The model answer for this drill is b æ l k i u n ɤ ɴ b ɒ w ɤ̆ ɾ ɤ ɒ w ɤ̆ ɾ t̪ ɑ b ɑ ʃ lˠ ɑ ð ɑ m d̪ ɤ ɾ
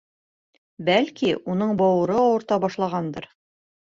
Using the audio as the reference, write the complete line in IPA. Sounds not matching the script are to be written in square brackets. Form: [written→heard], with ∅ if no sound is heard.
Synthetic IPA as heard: b æ l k i u n ɤ ɴ b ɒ w ɤ̆ ɾ ɤ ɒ w ɤ̆ ɾ t̪ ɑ b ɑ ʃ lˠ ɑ [ð→ʁ] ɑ [m→n] d̪ ɤ ɾ